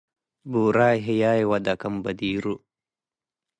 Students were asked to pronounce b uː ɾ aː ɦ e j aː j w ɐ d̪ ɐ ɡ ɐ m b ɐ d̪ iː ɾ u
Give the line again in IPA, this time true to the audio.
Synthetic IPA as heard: b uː ɾ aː ɦ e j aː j w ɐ d̪ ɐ k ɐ m b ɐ d̪ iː ɾ u